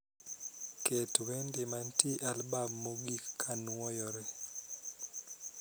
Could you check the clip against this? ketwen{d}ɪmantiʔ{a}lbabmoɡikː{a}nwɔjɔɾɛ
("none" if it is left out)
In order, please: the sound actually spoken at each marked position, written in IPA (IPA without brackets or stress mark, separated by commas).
d, a, a